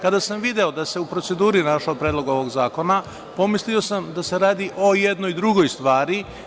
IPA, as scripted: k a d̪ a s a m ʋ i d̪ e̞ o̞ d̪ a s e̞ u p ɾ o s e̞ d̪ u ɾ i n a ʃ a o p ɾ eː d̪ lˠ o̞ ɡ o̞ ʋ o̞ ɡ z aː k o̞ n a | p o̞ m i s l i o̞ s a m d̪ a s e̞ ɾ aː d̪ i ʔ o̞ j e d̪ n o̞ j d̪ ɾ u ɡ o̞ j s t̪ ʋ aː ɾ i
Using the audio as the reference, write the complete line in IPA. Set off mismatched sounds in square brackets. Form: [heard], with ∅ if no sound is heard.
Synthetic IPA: k a d̪ a s a m ʋ i d̪ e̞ o̞ d̪ a s e̞ u p ɾ o s e̞ d̪ [uː] ɾ i n a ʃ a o p ɾ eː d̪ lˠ o̞ ɡ o̞ ʋ o̞ ɡ z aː k o̞ n a | p o̞ m i s l i o̞ s a m d̪ a s e̞ ɾ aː d̪ i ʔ o̞ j e d̪ n o̞ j d̪ ɾ u ɡ o̞ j s t̪ ʋ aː ɾ i